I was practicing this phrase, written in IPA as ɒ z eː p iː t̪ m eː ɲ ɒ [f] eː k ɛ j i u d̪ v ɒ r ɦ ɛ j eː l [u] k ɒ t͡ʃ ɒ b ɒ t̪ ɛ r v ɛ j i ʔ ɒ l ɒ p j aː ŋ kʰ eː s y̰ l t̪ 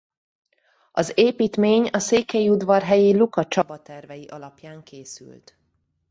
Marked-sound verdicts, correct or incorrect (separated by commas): incorrect, correct